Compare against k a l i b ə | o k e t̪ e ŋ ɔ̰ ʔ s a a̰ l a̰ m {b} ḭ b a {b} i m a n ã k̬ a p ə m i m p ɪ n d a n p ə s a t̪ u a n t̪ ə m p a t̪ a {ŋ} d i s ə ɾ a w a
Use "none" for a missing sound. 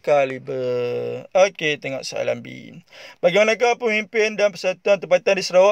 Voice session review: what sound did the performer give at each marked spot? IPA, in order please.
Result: b, ɡ, n

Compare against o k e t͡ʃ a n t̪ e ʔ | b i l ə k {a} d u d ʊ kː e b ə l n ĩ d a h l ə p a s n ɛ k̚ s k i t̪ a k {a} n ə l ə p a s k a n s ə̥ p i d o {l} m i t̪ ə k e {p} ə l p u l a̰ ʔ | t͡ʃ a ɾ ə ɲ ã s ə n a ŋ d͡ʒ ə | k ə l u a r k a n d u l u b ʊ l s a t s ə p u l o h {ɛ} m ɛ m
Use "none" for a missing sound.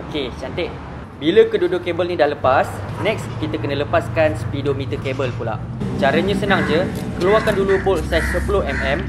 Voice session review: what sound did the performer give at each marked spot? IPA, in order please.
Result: ə, ə, none, b, ɛ

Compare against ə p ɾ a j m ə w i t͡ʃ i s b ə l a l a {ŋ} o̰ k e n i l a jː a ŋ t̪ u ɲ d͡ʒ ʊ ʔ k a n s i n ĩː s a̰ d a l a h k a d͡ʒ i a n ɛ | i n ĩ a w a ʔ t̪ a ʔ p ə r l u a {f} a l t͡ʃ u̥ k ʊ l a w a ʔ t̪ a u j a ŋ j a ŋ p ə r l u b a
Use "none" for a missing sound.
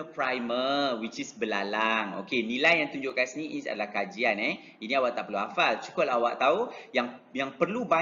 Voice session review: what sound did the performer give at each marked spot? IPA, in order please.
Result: ŋ, f

